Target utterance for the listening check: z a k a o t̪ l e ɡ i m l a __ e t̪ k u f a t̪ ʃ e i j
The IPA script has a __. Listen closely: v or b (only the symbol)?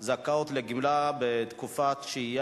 b